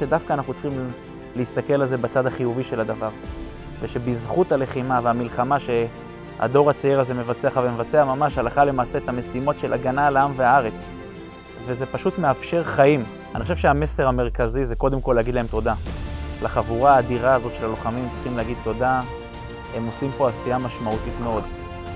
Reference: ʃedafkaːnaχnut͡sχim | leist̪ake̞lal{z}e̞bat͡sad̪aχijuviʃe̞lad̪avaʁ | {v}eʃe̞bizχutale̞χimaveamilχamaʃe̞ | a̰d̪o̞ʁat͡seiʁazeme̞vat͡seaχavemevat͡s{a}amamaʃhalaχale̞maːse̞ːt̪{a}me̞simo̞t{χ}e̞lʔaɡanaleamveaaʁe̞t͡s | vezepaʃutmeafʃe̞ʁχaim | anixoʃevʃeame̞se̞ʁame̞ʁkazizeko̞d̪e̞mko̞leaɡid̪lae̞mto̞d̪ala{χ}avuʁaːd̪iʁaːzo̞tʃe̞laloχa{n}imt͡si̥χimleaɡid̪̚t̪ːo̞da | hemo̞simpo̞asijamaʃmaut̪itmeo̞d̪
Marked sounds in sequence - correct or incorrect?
correct, correct, incorrect: e, correct, incorrect: ʃ, correct, incorrect: m

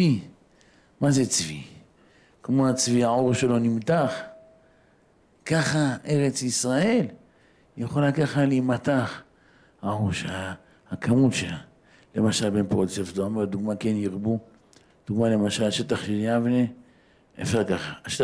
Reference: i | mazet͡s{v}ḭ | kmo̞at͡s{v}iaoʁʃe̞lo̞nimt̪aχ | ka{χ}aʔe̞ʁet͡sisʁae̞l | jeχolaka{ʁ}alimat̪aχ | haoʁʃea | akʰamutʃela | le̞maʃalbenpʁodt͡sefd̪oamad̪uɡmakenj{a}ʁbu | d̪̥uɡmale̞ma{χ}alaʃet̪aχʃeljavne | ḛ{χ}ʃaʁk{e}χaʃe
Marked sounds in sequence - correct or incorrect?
correct, correct, correct, incorrect: χ, incorrect: i, incorrect: ʃ, incorrect: f, incorrect: a

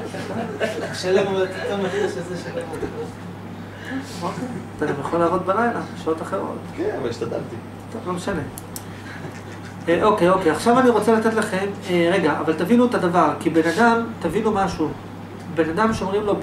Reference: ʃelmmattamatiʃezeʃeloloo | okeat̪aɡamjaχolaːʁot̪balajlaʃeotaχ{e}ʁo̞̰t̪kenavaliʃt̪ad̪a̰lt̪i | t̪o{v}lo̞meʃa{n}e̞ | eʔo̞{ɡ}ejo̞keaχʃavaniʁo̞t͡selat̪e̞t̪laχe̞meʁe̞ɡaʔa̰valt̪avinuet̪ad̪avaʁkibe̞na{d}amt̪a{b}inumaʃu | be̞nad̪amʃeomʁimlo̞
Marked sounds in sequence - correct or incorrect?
correct, correct, correct, incorrect: k, correct, incorrect: v

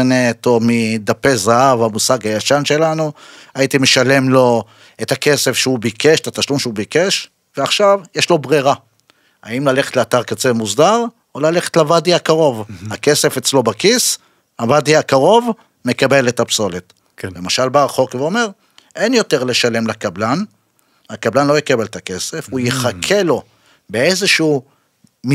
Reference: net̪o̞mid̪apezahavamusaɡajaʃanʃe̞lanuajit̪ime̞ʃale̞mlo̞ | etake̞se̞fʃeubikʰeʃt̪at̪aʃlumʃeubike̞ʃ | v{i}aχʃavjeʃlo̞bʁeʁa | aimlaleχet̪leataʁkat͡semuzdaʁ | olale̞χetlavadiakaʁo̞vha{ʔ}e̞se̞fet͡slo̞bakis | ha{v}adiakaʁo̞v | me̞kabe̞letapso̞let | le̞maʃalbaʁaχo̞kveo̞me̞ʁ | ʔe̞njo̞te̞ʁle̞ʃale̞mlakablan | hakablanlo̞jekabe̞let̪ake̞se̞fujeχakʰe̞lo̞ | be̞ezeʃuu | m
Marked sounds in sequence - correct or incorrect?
incorrect: e, incorrect: k, correct

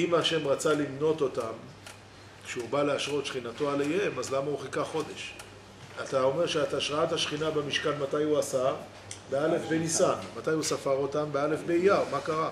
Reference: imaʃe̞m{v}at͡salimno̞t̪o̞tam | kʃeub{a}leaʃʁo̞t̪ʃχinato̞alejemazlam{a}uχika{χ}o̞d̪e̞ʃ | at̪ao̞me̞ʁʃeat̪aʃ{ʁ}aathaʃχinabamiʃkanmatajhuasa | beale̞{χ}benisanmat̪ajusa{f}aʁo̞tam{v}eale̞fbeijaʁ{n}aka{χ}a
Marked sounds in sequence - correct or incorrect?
incorrect: ʁ, correct, correct, correct, correct, incorrect: f, correct, incorrect: b, incorrect: m, incorrect: ʁ

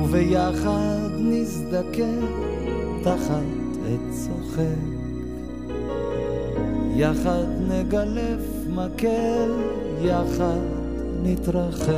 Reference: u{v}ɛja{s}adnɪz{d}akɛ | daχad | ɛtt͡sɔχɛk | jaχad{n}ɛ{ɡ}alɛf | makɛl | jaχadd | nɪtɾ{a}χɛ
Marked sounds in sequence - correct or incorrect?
correct, incorrect: χ, correct, correct, correct, correct

